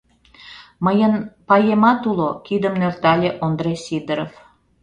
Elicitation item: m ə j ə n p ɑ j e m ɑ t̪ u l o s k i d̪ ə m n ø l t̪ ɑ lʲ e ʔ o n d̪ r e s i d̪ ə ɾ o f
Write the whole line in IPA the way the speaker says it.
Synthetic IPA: m ə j ə n p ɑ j e m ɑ t̪ u l o k i d̪ ə m n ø r t̪ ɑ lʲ e ʔ o n d̪ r e s i d̪ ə ɾ o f